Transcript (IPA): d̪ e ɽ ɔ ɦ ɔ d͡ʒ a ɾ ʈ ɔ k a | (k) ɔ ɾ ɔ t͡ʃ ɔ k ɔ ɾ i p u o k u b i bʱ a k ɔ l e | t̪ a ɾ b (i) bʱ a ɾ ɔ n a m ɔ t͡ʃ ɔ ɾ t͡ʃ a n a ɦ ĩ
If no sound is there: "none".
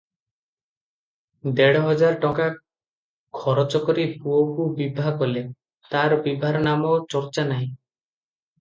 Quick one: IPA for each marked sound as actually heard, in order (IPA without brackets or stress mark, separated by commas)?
kʰ, i